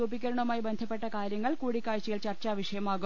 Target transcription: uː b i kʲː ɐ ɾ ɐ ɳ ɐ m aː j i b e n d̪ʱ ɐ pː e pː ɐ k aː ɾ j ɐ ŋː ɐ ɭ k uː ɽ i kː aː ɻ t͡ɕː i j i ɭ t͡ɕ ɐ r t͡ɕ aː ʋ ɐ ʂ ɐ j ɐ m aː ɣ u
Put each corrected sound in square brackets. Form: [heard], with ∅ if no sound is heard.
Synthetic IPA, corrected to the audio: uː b i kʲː ɐ ɾ ɐ ɳ ɐ m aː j i b e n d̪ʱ ɐ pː e [ʈː] ɐ k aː ɾ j ɐ ŋː ɐ ɭ k uː ɽ i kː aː ɻ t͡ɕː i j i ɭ t͡ɕ ɐ r t͡ɕ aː ʋ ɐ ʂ ɐ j ɐ m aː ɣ u